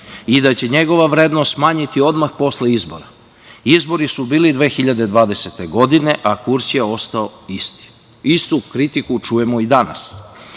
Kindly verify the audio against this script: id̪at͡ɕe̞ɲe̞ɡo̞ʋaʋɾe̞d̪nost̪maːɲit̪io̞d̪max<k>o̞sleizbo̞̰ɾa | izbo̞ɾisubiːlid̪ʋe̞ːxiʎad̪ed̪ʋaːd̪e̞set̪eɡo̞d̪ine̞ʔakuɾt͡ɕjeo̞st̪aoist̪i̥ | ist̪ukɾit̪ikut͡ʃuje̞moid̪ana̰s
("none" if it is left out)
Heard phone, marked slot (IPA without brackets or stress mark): p